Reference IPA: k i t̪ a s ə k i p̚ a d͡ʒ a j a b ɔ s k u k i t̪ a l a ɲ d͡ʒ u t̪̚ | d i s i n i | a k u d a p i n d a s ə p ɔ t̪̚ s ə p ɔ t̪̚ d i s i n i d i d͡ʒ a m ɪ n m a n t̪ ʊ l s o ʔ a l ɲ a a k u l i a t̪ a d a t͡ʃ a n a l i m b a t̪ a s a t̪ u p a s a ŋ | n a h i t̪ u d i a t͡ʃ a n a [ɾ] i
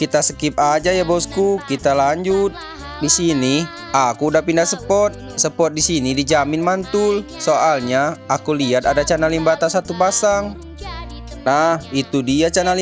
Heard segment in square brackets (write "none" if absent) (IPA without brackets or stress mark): l